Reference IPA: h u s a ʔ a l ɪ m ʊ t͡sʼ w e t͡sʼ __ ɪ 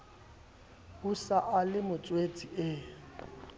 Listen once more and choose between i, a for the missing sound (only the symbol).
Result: i